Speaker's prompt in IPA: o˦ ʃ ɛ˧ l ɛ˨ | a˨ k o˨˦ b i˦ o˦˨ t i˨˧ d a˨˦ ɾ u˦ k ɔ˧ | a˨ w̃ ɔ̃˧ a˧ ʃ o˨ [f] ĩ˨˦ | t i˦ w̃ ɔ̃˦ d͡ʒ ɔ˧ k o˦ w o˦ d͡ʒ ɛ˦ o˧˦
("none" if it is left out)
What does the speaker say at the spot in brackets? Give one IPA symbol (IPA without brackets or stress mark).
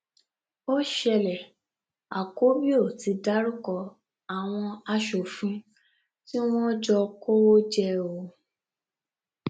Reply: f